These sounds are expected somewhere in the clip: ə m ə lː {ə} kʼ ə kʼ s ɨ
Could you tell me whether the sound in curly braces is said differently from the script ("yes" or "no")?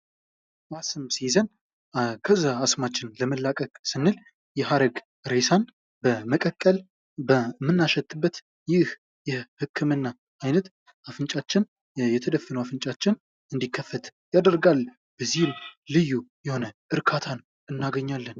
yes